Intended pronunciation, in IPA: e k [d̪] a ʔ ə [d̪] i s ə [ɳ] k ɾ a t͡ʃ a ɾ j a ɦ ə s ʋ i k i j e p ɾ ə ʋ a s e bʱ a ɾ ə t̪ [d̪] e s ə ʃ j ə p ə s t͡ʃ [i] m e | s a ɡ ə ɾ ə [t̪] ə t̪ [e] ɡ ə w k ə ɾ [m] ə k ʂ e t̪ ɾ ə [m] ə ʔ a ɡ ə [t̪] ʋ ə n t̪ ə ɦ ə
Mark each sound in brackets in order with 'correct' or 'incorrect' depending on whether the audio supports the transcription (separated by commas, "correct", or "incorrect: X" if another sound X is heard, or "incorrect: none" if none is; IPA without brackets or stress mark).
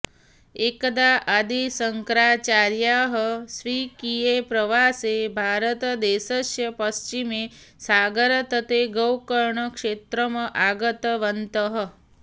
correct, correct, incorrect: ŋ, correct, correct, correct, correct, incorrect: ɳ, correct, correct